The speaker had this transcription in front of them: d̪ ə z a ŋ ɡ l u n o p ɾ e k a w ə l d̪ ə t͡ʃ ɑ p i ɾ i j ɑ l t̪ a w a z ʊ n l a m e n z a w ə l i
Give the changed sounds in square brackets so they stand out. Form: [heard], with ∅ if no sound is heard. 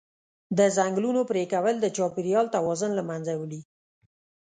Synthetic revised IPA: d̪ ə z a ŋ ɡ l u n o p ɾ e k a w ə l d̪ ə t͡ʃ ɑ p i ɾ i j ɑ l t̪ a w [ɑ] z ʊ n l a m [a] n z a w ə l i